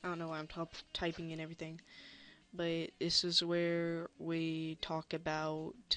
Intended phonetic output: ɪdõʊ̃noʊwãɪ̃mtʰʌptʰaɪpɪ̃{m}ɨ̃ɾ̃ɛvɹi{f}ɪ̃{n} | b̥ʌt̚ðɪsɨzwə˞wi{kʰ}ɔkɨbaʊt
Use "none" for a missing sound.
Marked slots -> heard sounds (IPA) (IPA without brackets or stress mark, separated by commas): ŋ, θ, ŋ, tʰ